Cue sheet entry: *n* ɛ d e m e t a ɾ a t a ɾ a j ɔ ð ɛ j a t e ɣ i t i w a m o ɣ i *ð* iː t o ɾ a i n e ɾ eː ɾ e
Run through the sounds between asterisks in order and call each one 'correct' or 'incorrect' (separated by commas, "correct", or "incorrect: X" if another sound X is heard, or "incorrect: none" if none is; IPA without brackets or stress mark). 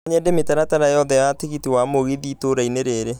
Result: incorrect: ɲ, correct